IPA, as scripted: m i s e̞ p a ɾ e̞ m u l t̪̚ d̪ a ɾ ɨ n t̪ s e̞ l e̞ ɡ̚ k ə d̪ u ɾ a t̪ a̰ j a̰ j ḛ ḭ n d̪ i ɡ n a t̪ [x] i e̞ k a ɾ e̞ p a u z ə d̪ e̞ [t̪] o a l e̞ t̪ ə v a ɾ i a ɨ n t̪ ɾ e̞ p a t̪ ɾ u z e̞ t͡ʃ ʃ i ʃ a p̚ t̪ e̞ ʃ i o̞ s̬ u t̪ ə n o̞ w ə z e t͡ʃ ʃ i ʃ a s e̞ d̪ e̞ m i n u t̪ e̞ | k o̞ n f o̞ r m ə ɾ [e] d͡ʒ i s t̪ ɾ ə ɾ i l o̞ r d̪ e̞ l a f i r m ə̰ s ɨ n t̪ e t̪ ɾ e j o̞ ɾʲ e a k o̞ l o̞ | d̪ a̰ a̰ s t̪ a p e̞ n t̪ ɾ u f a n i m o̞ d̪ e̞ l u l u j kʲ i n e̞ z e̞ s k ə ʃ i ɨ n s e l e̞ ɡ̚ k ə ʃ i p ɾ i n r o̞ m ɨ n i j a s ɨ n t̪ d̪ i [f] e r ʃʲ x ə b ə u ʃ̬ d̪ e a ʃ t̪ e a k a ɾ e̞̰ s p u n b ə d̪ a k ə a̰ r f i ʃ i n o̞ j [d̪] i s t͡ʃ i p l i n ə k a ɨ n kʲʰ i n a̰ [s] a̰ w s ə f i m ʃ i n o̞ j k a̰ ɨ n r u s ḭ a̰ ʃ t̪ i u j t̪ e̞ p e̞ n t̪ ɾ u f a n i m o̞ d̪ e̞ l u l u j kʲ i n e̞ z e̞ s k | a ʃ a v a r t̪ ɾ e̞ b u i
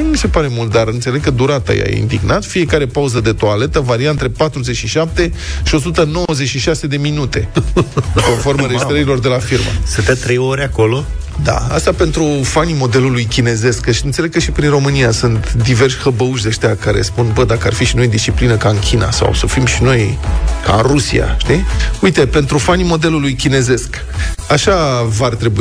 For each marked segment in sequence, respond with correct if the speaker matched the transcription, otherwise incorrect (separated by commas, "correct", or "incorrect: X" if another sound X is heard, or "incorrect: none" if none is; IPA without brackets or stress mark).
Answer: incorrect: f, correct, correct, incorrect: v, correct, correct